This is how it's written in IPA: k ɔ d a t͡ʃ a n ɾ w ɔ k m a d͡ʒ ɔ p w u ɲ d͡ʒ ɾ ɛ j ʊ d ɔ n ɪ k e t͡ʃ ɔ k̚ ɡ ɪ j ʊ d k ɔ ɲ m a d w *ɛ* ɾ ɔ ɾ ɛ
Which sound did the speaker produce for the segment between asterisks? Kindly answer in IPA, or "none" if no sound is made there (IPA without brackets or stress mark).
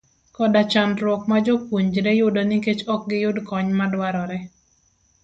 a